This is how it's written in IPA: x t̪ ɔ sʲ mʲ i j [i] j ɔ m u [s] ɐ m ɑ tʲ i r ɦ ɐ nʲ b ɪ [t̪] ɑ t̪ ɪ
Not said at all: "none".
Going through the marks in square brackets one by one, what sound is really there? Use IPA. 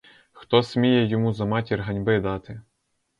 ɛ, z, d̪

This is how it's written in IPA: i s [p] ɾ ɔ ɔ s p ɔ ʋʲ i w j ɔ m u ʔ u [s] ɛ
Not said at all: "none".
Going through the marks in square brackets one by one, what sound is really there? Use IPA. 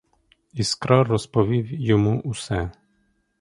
k, s

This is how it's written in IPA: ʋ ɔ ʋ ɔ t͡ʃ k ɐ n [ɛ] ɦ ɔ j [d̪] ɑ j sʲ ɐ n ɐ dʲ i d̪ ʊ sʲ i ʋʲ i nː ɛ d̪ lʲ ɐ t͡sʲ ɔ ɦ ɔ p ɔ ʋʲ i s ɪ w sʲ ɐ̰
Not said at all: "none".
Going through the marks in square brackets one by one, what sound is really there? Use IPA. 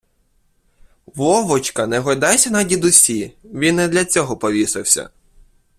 ɛ, d̪

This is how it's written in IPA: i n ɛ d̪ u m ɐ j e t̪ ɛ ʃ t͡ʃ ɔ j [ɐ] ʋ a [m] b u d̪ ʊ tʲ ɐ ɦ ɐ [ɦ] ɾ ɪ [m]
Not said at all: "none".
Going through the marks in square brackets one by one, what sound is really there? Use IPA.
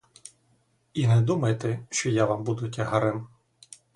a, m, none, m

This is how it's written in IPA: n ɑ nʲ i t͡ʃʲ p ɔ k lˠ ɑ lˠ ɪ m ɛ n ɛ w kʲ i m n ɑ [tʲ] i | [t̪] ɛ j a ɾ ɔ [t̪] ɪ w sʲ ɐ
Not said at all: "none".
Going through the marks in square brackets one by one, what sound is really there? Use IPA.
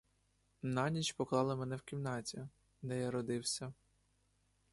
tʲ, d̪, d̪

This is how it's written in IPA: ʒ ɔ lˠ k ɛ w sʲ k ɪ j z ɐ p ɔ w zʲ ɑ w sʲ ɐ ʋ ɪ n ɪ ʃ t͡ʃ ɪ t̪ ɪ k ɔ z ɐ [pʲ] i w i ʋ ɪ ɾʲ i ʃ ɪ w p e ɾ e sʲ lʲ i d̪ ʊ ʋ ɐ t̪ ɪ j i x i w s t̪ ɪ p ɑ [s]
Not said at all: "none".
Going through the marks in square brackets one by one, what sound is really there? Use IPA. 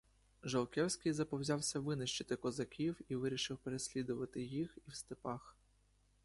kʲ, x

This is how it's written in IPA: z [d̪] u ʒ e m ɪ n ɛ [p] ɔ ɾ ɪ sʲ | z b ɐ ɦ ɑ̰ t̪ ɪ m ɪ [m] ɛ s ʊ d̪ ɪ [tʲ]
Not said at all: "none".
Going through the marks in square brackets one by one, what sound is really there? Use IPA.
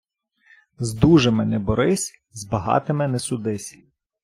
d̪, b, n, sʲ

